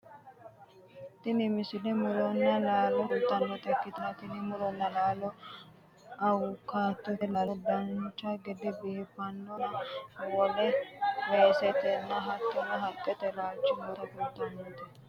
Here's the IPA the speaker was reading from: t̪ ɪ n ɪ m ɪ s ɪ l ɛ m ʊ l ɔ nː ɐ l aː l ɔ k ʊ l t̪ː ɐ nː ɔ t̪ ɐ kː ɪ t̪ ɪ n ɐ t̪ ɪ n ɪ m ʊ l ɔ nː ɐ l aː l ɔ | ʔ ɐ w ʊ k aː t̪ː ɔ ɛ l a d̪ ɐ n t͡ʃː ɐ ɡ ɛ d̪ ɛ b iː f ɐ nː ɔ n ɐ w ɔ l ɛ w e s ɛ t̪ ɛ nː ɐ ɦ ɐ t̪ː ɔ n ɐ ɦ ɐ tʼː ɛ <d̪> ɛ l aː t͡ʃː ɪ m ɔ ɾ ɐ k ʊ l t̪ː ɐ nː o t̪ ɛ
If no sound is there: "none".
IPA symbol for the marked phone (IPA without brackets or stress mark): t̪